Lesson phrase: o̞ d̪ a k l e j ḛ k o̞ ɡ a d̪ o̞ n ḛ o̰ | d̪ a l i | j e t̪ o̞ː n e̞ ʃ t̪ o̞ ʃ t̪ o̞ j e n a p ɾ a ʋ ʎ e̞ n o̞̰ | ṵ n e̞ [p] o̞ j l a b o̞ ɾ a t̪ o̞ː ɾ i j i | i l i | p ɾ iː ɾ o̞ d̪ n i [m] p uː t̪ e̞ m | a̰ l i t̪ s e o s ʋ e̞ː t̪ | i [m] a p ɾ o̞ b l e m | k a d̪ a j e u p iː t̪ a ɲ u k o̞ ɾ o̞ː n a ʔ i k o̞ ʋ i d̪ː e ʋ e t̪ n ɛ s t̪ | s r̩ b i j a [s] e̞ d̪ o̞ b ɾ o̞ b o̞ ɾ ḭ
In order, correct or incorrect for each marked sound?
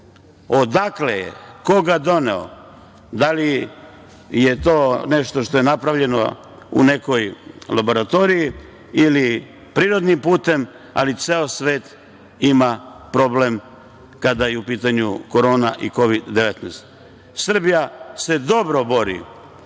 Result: incorrect: k, correct, correct, correct

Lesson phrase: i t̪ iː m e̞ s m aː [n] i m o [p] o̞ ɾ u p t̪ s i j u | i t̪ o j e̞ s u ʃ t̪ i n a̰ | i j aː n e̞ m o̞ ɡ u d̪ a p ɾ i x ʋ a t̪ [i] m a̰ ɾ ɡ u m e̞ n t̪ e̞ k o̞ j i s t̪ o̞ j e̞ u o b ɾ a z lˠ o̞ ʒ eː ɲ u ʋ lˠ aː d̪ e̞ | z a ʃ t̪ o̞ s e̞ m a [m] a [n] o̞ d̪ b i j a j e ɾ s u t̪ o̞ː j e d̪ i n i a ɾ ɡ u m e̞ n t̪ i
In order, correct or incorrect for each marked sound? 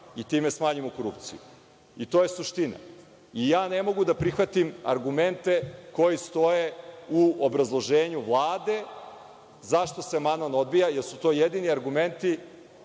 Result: incorrect: ɲ, incorrect: k, correct, incorrect: n, correct

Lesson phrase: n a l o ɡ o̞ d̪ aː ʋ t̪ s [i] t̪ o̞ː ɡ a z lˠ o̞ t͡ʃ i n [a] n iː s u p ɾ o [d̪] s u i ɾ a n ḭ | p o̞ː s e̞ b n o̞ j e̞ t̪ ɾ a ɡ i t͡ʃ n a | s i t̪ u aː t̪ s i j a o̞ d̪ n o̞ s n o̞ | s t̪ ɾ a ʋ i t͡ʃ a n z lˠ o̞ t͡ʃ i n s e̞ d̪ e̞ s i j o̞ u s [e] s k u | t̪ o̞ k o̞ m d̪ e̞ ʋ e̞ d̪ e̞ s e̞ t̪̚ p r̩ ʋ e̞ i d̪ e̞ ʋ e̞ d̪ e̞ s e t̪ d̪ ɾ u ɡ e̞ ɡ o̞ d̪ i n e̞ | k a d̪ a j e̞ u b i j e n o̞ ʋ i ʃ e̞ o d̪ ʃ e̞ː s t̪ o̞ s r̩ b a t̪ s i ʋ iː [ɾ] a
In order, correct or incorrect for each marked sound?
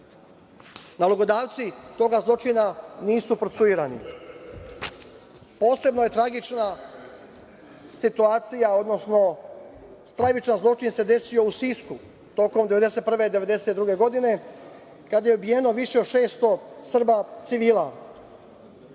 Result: correct, correct, incorrect: t̪, incorrect: i, incorrect: l

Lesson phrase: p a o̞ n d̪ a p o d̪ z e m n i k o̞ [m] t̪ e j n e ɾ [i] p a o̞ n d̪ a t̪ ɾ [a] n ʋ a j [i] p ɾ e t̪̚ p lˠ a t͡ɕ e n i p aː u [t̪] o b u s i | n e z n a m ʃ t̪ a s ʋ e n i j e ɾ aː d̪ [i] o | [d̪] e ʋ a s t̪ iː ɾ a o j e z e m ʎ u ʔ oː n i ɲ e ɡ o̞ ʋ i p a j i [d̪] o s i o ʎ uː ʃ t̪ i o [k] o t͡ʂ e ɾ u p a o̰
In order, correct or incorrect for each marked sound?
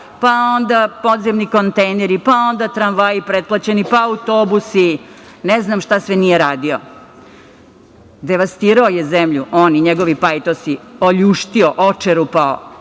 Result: incorrect: n, correct, correct, correct, correct, correct, correct, incorrect: t̪, incorrect: ʔ

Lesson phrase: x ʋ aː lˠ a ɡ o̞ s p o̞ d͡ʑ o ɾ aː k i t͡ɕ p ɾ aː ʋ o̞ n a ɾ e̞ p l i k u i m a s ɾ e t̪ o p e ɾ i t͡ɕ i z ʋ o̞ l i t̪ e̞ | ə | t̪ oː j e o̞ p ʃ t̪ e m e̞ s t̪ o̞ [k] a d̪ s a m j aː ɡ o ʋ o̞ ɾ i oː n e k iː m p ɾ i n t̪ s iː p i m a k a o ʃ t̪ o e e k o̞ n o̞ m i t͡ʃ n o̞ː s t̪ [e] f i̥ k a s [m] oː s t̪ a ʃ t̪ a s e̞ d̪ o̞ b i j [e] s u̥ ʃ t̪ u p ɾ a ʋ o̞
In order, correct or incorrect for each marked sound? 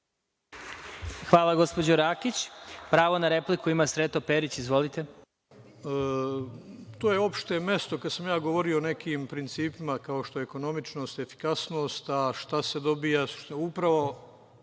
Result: correct, correct, incorrect: n, incorrect: a

